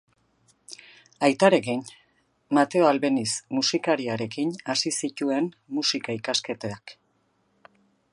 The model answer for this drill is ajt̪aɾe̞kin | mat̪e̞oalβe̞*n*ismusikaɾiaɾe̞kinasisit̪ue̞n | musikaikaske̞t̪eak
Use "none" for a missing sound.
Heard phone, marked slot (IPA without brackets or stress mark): n